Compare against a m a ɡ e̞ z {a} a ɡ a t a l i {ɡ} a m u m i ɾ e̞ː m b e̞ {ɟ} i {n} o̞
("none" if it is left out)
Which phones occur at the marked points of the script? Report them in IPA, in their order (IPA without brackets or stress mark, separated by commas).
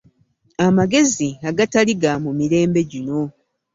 i, ɡ, ɟ, n